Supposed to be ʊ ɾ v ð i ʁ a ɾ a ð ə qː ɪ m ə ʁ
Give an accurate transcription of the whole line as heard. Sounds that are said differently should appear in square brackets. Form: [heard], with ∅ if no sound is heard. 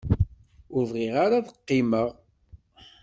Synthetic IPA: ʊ ɾ v [ʁ] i ʁ a ɾ a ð ə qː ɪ m ə ʁ